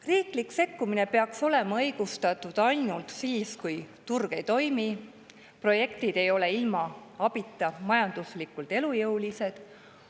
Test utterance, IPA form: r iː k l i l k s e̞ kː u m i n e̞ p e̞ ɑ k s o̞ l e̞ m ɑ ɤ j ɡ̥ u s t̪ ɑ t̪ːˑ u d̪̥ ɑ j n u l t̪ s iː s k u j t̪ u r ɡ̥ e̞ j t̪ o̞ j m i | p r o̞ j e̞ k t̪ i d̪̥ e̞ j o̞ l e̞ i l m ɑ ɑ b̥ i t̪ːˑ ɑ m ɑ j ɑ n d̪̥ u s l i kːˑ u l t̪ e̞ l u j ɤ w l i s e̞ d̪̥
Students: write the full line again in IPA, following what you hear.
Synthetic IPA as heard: r iː k l i k s e̞ kː u m i n e̞ p e̞ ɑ k s o̞ l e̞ m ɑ ɤ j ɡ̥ u s t̪ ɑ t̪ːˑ u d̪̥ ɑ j n u l t̪ s iː s k u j t̪ u r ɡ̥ e̞ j t̪ o̞ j m i | p r o̞ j e̞ k t̪ i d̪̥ e̞ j o̞ l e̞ i l m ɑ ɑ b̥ i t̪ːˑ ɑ m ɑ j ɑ n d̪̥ u s l i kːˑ u l t̪ e̞ l u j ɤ w l i s e̞ d̪̥